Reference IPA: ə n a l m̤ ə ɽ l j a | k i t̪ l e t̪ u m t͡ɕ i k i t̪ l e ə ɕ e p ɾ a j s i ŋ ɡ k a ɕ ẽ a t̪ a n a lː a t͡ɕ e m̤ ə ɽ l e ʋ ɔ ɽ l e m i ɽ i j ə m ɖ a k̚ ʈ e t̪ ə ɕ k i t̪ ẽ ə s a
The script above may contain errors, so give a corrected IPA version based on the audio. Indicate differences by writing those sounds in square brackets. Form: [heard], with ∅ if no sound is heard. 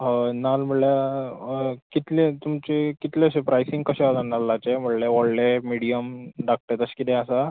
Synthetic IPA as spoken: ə n a l m̤ ə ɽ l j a | k i t̪ l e t̪ u m t͡ɕ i k i t̪ l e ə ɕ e p ɾ a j s i ŋ ɡ k [ə] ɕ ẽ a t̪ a n a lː a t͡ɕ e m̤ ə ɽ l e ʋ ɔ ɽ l e m i ɽ i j ə m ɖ a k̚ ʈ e t̪ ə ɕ k i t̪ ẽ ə s a